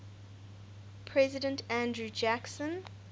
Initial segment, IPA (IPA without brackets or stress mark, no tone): pʰ